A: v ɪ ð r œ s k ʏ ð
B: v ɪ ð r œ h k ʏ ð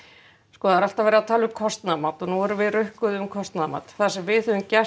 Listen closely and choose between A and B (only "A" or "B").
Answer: B